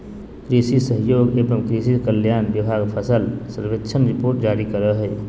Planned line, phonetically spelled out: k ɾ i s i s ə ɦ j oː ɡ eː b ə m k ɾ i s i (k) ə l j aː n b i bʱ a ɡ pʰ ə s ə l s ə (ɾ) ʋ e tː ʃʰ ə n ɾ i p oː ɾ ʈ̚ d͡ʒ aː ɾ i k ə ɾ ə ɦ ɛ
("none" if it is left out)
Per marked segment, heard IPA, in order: k, ɾ

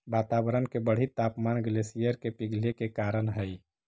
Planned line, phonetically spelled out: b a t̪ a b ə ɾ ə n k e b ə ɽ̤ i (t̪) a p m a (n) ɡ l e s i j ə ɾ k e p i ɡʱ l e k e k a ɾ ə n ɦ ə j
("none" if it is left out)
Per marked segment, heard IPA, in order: t̪, n

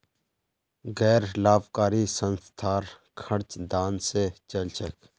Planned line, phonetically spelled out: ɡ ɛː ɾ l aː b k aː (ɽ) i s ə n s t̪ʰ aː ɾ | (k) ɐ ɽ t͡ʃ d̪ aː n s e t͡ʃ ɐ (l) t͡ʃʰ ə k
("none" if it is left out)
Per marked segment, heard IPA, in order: ɾ, kʰ, l

